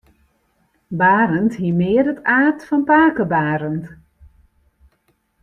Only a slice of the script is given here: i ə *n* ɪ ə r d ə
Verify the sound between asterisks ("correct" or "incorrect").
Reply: incorrect